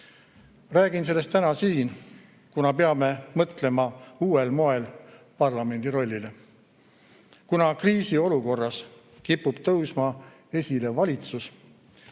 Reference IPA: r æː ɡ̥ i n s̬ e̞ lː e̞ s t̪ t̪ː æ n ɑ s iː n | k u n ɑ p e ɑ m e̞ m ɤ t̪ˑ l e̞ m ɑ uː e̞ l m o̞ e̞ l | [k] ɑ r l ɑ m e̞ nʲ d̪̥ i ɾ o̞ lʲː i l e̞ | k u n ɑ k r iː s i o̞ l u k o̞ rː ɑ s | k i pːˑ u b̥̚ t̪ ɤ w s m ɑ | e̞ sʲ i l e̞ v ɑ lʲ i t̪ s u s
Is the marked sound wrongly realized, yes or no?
yes